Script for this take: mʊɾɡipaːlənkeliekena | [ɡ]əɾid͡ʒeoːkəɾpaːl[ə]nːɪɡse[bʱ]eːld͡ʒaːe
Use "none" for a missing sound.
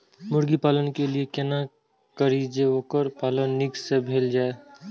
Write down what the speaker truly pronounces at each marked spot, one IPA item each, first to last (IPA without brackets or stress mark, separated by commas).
k, ə, bʱ